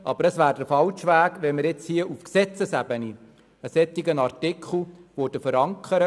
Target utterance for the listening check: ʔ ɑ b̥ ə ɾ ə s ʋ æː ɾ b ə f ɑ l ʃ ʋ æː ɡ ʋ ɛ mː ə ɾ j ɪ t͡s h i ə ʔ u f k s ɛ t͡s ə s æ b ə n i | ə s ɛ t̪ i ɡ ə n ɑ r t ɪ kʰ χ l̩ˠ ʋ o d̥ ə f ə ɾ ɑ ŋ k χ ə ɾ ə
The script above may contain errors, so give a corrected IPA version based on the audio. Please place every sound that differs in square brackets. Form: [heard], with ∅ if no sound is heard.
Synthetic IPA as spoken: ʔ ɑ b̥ ə ɾ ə s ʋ æː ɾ [d] ə f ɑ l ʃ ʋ æː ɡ ʋ ɛ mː ə ɾ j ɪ t͡s h i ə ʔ u f k s ɛ t͡s ə s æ b ə n i | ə s ɛ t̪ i ɡ ə n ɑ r t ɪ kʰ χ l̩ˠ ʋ o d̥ ə f ə ɾ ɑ ŋ k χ ə ɾ ə